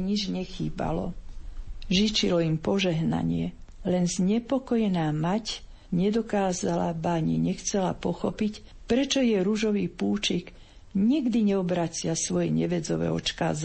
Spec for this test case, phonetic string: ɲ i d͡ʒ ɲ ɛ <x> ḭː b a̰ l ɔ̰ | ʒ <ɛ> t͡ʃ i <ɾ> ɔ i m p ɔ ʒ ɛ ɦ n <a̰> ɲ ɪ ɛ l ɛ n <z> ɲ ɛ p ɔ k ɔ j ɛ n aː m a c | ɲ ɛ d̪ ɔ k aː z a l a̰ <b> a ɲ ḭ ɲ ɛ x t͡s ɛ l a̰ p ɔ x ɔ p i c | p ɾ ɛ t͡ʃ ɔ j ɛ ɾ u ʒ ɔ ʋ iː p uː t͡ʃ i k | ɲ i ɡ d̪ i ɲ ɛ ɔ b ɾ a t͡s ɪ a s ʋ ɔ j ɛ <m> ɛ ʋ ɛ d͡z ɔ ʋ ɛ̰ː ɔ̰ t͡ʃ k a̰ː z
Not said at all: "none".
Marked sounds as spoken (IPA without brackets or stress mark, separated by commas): x, i, l, a̰, z, b, ɲ